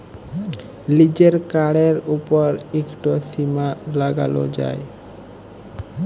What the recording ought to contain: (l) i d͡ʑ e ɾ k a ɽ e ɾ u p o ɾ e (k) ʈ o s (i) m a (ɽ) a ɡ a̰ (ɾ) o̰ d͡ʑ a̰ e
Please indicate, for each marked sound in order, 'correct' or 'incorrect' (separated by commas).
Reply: correct, correct, correct, incorrect, incorrect